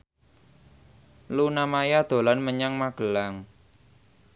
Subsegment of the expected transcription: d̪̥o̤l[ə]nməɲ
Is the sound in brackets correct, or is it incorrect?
incorrect